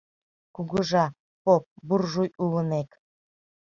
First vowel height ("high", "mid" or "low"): high